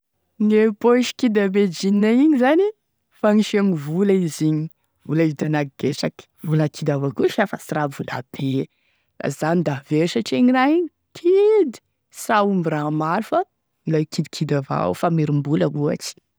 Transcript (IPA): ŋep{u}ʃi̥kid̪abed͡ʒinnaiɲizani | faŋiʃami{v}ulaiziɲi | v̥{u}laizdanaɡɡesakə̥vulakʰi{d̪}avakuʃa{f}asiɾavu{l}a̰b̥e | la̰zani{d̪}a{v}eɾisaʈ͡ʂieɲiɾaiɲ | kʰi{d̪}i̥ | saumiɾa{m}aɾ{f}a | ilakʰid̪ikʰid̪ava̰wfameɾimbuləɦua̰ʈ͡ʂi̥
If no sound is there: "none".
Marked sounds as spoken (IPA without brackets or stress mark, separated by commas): o, v, u, d̪, f, l, d̪, v, d̪, m, f